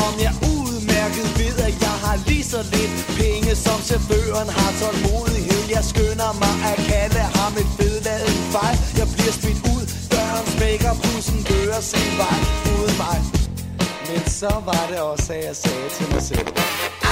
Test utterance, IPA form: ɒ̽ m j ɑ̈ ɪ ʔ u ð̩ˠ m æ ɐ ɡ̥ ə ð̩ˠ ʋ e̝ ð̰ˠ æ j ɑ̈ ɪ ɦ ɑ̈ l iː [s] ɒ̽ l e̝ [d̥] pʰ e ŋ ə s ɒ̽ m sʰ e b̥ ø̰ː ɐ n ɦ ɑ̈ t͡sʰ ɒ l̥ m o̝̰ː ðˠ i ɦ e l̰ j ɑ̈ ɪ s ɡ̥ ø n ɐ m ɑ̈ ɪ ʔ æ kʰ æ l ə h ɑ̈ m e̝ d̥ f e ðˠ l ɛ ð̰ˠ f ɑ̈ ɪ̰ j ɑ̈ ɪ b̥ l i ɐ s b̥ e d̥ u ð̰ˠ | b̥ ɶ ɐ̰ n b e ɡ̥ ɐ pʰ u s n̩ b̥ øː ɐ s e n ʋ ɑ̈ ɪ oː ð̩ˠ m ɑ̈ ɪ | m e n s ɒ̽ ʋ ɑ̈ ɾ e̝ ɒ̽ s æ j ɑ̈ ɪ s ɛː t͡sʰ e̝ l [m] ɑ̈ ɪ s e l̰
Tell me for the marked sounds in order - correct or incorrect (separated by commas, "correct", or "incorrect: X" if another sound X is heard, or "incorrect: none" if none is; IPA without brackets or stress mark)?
correct, correct, correct